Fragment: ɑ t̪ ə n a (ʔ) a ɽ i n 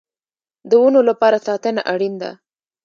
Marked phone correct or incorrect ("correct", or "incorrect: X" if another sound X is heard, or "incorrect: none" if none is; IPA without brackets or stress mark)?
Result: correct